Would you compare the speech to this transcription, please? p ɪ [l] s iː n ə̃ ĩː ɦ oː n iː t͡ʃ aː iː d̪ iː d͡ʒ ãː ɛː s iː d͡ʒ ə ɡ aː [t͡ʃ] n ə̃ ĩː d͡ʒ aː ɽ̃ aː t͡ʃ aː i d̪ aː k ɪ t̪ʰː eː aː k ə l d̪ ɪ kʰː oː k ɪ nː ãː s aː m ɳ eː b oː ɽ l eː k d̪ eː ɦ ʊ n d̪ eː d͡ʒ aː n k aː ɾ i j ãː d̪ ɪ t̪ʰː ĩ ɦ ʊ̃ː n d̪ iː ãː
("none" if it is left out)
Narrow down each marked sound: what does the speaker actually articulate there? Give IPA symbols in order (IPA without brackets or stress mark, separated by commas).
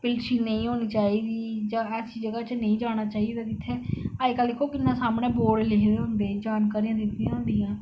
l, t͡ʃ